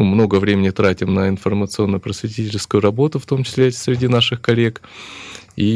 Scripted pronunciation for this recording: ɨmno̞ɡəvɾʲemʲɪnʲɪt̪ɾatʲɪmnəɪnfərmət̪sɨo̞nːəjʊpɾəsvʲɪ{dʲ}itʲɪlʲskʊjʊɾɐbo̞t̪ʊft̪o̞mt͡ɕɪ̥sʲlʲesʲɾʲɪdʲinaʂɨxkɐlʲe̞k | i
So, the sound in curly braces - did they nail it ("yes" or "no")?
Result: no